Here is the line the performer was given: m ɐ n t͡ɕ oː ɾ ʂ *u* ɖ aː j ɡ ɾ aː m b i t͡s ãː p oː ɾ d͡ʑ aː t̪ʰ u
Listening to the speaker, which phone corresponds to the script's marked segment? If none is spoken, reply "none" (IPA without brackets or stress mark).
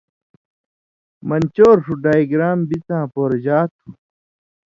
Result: u